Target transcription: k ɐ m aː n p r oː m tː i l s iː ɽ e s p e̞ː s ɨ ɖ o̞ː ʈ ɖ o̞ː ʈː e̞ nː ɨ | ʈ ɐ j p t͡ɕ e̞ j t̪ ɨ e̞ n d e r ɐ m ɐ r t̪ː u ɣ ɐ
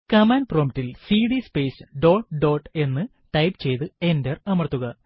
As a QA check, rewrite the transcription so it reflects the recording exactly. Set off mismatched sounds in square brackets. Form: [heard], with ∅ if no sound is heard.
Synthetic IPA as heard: k ɐ m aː n p r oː m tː i l s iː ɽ [i] s p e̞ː s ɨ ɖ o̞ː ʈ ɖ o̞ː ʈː e̞ nː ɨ | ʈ ɐ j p t͡ɕ e̞ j t̪ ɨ e̞ n d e r ɐ m ɐ r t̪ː u ɣ ɐ